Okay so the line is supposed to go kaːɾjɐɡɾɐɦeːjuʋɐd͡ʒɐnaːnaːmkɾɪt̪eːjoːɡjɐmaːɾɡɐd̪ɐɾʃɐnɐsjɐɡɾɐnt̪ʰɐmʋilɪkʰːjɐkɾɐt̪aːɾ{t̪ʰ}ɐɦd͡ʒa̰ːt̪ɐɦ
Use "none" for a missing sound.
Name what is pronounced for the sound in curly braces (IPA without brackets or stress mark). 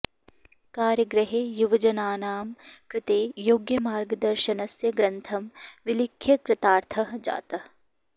t̪ʰ